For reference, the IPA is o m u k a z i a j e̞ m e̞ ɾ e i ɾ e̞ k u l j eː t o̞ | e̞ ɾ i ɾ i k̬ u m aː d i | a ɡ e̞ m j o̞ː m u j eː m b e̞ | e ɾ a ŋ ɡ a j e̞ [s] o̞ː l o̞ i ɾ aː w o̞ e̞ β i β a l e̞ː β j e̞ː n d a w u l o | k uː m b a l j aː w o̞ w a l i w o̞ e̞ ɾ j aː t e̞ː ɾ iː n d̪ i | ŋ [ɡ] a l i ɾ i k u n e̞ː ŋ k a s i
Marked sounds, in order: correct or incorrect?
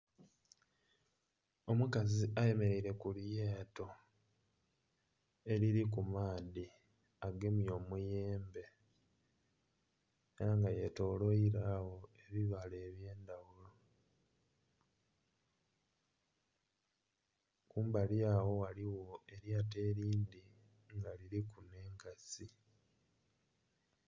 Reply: incorrect: t, correct

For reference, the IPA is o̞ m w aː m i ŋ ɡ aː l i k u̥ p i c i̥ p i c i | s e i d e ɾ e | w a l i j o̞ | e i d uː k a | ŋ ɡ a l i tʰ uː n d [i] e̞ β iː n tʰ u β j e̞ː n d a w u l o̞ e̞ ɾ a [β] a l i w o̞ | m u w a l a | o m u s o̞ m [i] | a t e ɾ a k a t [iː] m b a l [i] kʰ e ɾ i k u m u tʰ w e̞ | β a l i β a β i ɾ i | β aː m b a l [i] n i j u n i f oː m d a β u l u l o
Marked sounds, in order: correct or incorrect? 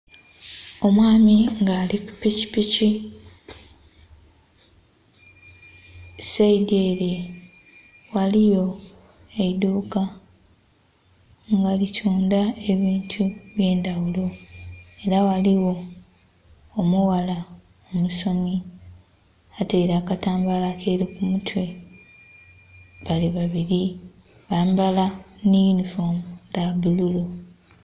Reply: incorrect: a, incorrect: w, correct, incorrect: aː, incorrect: a, incorrect: a

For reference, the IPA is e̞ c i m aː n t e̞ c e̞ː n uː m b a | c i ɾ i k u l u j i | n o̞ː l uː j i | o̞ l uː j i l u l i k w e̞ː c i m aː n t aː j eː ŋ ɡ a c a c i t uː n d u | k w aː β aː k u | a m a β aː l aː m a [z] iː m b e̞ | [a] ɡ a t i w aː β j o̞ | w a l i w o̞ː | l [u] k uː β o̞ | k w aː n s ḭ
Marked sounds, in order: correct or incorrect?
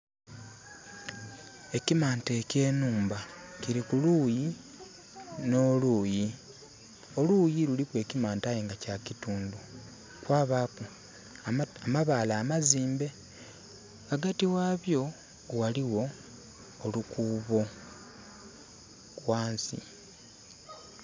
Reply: correct, correct, correct

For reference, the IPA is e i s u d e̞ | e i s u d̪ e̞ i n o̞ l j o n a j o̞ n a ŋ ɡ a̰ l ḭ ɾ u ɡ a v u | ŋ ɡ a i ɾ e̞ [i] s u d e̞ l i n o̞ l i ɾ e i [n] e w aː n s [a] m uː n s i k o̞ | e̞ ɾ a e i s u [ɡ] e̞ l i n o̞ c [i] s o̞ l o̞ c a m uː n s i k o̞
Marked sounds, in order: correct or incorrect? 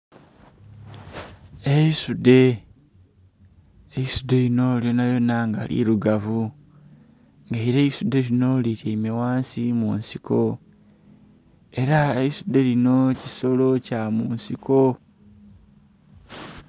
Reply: correct, incorrect: m, incorrect: i, incorrect: d, correct

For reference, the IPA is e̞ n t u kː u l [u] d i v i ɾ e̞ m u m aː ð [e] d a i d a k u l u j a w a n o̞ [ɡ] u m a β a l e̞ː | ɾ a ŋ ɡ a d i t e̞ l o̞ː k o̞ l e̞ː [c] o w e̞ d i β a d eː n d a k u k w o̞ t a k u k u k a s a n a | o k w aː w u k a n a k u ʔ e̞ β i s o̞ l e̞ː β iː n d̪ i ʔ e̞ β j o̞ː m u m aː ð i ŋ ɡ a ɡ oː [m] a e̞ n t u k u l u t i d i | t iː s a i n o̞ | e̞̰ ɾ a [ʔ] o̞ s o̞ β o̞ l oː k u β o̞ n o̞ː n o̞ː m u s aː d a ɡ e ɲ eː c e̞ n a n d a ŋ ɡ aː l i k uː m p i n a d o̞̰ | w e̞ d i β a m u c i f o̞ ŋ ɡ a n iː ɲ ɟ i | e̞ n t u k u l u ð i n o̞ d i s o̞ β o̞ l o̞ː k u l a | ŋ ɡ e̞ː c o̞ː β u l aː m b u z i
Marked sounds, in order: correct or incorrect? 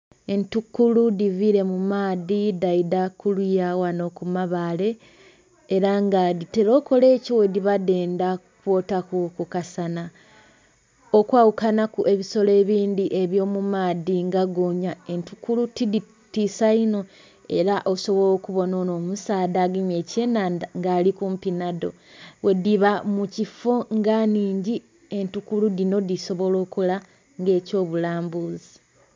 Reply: correct, incorrect: i, incorrect: k, correct, incorrect: ɲ, correct

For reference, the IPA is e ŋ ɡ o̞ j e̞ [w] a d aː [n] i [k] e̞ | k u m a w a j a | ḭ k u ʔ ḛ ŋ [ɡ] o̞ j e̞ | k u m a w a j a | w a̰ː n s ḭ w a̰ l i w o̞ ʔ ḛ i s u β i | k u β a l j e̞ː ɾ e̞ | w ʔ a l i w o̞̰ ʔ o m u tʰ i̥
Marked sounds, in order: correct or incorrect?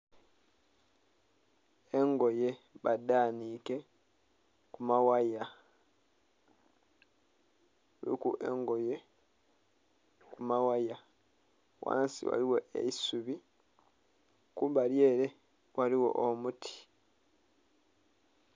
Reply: incorrect: β, correct, correct, correct

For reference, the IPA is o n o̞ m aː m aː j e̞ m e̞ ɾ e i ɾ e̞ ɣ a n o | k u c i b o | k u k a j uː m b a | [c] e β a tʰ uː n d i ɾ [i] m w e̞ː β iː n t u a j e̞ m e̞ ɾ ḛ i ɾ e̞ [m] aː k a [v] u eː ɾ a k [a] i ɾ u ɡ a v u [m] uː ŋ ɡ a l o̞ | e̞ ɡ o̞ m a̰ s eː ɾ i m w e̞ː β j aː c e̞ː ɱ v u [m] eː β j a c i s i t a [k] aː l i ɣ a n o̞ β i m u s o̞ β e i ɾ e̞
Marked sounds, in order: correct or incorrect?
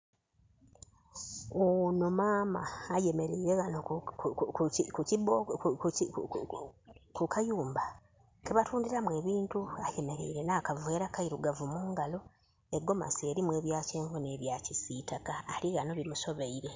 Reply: incorrect: k, incorrect: a, incorrect: n, correct, correct, correct, incorrect: n, correct

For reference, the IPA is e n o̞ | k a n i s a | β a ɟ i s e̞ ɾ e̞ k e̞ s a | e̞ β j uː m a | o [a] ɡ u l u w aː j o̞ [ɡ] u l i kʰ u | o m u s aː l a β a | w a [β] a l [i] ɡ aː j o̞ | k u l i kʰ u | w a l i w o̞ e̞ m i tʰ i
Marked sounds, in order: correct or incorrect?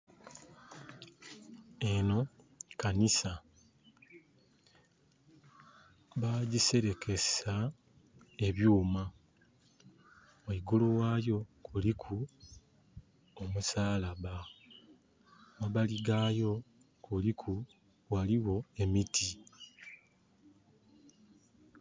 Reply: incorrect: i, incorrect: k, correct, correct

